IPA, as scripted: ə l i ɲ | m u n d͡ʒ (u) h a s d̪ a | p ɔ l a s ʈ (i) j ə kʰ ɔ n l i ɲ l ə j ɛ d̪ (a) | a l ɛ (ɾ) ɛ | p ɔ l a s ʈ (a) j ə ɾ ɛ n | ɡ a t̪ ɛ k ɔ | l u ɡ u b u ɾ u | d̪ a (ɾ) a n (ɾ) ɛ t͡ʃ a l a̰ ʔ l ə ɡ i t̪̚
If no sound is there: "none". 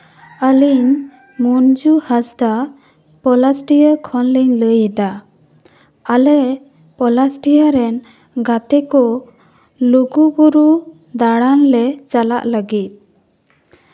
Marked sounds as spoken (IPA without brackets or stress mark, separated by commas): u, i, a, ɾ, i, ɽ, l